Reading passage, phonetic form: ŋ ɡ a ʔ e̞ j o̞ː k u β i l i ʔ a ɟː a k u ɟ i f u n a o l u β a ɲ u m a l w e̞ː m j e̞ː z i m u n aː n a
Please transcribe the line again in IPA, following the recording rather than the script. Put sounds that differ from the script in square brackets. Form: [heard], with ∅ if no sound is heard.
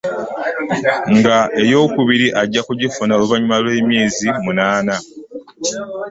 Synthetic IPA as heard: ŋ ɡ a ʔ e̞ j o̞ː k u β i [ɾ] i ʔ a ɟː a k u ɟ i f u n a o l u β a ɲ u m a l w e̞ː m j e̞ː z i m u n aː n a